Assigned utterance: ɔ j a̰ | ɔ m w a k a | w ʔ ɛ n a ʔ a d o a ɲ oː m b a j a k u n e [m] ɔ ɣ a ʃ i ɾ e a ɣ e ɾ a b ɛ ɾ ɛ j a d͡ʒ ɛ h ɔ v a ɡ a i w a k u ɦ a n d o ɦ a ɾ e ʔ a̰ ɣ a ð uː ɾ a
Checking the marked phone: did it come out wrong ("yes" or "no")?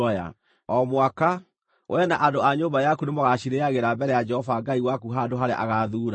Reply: no